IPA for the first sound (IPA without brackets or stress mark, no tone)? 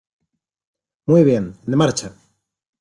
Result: m